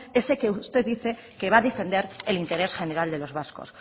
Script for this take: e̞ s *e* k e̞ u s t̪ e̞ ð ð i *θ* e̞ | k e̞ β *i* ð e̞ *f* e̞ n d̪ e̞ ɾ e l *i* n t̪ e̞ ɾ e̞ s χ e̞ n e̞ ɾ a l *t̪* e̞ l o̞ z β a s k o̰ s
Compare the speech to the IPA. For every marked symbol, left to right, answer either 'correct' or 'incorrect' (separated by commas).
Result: correct, correct, incorrect, correct, correct, incorrect